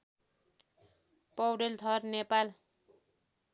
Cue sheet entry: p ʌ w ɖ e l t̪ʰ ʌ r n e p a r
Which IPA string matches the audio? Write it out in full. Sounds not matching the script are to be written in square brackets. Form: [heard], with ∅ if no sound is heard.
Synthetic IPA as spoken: p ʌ w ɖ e l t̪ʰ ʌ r n e p a [l]